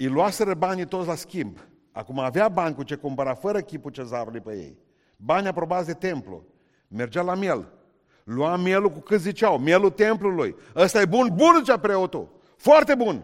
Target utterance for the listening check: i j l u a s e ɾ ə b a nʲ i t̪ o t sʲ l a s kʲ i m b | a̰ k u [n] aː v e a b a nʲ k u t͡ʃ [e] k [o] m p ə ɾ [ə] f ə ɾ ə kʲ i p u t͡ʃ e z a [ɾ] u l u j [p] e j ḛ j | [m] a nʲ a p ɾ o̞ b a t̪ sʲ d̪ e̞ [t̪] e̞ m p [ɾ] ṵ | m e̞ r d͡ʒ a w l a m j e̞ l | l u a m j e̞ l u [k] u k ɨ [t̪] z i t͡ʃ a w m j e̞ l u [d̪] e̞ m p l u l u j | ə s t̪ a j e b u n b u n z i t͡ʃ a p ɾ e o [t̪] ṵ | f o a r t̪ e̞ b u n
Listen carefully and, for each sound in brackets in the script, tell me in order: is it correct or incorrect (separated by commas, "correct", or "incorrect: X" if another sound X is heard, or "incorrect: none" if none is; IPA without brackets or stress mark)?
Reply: incorrect: m, correct, incorrect: u, incorrect: a, correct, correct, incorrect: b, correct, incorrect: l, correct, correct, incorrect: t̪, correct